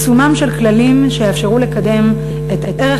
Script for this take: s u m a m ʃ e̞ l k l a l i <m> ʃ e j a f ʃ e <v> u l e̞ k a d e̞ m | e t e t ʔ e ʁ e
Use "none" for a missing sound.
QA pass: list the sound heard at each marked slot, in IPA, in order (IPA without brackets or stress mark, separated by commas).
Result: m, ʁ